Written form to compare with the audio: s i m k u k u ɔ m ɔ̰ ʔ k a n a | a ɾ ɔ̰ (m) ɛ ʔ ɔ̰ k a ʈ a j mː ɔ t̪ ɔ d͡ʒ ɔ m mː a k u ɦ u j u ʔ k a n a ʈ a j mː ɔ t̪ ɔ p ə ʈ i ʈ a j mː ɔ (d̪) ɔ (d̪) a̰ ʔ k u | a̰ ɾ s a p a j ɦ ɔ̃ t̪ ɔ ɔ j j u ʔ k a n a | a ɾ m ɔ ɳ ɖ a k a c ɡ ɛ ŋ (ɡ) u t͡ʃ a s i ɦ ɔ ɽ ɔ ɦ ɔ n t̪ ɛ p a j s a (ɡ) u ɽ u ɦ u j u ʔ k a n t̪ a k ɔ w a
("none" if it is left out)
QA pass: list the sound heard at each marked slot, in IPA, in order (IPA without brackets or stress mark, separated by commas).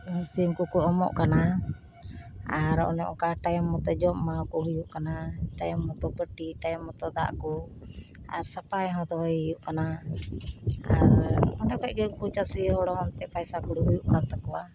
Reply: n, t̪, d̪, k, k